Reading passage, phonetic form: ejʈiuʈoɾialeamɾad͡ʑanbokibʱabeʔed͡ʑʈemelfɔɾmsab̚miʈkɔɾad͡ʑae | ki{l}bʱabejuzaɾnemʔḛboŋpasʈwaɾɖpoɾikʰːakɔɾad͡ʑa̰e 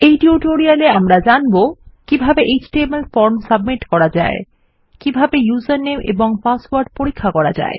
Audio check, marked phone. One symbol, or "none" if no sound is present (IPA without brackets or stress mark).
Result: none